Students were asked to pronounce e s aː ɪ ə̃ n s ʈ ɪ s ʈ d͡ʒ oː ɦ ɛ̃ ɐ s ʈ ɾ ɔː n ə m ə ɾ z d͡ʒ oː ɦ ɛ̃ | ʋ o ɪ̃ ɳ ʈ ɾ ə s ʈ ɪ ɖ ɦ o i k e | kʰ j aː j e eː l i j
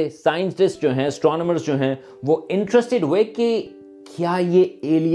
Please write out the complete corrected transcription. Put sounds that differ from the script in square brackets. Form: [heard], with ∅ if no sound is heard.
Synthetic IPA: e s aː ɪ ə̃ n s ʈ ɪ s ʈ d͡ʒ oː ɦ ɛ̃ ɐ s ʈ ɾ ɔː n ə m ə ɾ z d͡ʒ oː ɦ ɛ̃ | ʋ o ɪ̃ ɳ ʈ ɾ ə s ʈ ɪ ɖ ɦ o [e] k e | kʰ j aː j e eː l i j